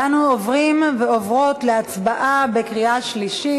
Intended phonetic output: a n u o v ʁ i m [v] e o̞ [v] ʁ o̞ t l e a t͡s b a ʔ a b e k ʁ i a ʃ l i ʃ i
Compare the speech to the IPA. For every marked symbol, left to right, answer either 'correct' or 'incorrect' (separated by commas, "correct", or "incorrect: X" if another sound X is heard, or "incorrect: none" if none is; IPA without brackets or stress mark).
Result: correct, correct